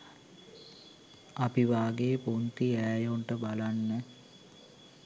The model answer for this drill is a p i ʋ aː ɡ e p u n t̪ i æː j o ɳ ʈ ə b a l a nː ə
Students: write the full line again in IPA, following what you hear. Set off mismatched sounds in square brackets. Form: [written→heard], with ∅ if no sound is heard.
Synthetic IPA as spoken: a p i ʋ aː ɡ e p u n t̪ i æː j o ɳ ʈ ə b a l a nː ə